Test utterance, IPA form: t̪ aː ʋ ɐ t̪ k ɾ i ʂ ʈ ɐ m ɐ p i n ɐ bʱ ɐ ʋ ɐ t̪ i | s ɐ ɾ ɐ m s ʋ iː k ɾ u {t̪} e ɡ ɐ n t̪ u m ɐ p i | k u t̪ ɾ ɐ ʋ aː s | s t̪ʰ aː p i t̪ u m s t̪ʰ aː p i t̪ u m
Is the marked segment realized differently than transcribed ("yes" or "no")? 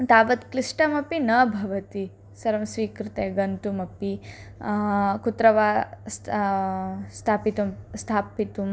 no